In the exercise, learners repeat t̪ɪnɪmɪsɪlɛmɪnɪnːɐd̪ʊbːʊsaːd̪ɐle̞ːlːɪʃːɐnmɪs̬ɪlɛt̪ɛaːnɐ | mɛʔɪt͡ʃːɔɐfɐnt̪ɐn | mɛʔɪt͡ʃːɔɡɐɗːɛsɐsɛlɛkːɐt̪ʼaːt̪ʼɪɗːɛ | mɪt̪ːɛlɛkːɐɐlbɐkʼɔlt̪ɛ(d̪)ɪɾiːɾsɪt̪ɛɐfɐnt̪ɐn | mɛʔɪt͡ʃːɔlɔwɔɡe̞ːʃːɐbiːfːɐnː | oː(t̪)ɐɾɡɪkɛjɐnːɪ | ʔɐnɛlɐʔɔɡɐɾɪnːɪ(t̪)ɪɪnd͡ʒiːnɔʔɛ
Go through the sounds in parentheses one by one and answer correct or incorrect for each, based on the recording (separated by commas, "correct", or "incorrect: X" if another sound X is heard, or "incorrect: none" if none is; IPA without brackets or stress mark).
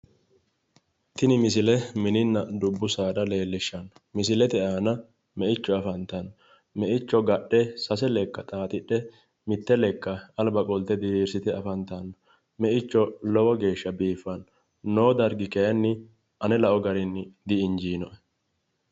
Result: correct, incorrect: d̪, incorrect: d̪